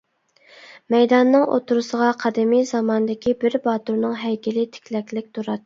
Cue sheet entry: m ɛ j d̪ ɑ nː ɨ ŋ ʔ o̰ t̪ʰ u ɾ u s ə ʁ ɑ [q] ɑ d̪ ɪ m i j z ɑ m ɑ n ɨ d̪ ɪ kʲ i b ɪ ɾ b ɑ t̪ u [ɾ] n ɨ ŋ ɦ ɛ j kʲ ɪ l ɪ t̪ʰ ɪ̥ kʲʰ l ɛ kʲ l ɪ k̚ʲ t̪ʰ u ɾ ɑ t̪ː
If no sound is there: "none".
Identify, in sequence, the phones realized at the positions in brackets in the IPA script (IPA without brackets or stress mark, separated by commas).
qʰ, ɾ